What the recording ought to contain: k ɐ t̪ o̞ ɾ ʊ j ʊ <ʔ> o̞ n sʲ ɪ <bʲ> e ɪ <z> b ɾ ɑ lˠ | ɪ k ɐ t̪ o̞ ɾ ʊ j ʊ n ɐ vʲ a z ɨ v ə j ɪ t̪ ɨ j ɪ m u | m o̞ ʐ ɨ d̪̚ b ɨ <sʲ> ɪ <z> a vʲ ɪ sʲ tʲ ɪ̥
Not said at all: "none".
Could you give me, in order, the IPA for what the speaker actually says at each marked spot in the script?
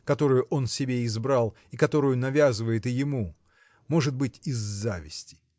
ʔ, bʲ, z, tʲ, zː

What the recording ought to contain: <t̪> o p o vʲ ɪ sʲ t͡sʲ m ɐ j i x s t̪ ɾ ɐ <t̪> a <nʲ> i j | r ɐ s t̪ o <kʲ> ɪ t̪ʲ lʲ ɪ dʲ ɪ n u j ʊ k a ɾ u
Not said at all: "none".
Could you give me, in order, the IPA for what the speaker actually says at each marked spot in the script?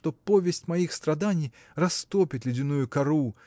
t̪, d̪, nʲ, pʲ

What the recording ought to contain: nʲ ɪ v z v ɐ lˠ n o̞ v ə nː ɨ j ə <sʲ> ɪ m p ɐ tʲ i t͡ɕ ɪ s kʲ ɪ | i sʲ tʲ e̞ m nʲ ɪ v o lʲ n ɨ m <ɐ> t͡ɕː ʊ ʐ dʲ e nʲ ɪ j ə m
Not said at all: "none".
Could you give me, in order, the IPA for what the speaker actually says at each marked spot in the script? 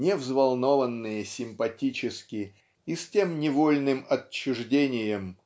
sʲ, ɐ

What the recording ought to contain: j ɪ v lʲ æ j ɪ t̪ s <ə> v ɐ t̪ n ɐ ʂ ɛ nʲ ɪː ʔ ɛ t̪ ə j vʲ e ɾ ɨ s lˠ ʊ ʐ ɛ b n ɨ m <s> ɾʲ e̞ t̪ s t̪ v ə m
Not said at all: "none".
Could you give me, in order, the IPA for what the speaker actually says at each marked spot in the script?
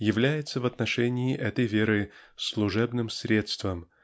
ə, s

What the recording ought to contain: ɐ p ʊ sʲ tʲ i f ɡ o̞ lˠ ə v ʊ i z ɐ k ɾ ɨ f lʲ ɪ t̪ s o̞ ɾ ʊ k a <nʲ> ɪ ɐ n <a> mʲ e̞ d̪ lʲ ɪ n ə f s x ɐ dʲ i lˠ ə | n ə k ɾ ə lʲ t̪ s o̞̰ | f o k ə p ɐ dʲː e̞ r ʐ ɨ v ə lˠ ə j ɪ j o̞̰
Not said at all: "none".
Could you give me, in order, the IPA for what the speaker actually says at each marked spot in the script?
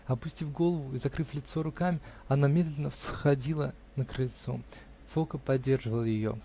mʲ, a

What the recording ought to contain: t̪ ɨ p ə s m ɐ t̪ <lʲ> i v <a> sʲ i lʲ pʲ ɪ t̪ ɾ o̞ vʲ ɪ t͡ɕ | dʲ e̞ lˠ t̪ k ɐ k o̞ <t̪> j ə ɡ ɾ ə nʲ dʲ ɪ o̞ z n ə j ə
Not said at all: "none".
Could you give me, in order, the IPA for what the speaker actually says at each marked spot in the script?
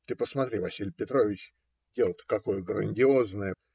ɾʲ, ɐ, none

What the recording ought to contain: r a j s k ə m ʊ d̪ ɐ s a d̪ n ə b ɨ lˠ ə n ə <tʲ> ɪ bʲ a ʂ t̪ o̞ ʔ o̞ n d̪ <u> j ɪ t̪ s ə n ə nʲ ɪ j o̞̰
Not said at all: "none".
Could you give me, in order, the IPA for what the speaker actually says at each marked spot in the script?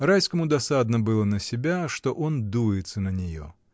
sʲ, u

